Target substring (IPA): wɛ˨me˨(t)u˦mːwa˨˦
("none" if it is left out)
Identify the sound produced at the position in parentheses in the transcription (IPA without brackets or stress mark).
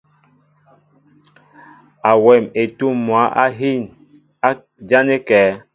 t